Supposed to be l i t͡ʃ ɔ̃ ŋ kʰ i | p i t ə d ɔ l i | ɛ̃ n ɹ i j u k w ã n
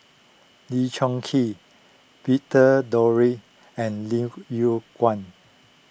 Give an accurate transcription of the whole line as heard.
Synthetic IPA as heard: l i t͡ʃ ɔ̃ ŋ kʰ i | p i t ə d ɔ ɹ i | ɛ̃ n l i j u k w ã n